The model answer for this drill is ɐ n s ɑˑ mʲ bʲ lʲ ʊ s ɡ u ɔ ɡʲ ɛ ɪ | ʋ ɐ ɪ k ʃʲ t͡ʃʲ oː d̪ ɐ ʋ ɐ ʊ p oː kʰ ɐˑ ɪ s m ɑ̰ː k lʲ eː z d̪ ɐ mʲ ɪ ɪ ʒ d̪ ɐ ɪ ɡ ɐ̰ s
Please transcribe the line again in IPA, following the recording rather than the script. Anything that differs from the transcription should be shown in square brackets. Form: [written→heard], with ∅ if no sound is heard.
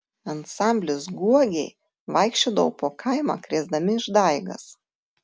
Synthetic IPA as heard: ɐ n s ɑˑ mʲ bʲ lʲ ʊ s ɡ u ɔ ɡʲ ɛ ɪ | ʋ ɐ ɪ k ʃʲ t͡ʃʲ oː d̪ ɐ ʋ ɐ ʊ p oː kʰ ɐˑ ɪ [s→∅] m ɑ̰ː k [lʲ→ɾʲ] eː z d̪ ɐ mʲ ɪ ɪ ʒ d̪ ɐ ɪ ɡ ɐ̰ s